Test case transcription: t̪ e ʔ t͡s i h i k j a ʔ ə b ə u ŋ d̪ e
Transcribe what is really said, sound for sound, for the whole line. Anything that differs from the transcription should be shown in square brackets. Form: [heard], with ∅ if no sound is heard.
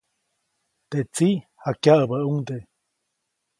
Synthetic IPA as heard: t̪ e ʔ t͡s i h [a] k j a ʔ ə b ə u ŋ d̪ e